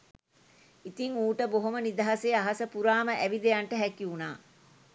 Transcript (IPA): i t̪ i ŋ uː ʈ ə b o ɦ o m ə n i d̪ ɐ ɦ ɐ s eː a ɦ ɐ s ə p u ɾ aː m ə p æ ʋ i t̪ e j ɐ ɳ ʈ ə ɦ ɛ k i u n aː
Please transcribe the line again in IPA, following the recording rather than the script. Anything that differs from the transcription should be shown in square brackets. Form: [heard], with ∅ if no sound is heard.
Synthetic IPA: i t̪ i ŋ uː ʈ ə b o ɦ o m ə n i d̪ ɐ ɦ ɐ s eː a ɦ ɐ s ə p u ɾ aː m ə [ʔ] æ ʋ i [d̪] e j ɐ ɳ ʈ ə ɦ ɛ k i u n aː